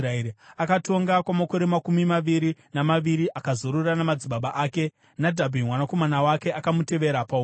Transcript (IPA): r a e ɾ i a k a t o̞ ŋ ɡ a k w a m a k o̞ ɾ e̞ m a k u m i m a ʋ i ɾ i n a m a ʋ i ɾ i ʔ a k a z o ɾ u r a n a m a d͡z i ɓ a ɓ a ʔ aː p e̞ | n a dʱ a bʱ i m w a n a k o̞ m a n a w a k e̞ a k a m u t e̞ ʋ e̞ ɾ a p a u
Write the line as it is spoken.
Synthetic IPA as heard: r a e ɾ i a k a t o̞ ŋ ɡ a k w a m a k o̞ ɾ e̞ m a k u m i m a ʋ i ɾ i n a m a ʋ i ɾ i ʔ a k a z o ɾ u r a n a m a d͡z i ɓ a ɓ a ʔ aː k e̞ | n a dʱ a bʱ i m w a n a k o̞ m a n a w a k e̞ a k a m u t e̞ ʋ e̞ ɾ a p a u